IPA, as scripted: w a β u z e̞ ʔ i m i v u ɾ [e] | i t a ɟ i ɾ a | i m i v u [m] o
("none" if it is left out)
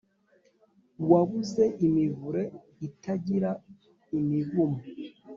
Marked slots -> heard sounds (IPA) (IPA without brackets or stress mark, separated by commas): e, m